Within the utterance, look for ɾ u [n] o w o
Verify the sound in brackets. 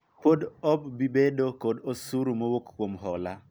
incorrect: m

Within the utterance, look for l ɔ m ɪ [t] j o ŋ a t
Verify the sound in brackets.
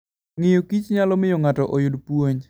incorrect: none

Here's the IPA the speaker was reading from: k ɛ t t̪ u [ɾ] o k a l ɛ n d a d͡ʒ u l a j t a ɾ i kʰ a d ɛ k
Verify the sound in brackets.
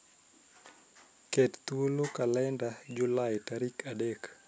incorrect: l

